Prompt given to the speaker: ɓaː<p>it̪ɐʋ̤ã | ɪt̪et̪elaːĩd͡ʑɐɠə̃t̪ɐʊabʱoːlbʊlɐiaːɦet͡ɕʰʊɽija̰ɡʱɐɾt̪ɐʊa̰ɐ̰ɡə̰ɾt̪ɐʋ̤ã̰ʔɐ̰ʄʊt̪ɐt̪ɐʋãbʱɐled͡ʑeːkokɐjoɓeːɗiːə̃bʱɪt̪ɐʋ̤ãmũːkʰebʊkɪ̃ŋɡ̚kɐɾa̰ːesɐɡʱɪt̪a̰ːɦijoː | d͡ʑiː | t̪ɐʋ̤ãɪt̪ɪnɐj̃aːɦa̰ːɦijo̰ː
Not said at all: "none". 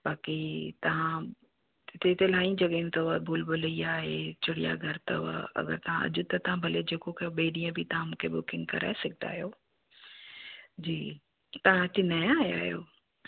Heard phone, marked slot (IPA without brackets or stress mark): k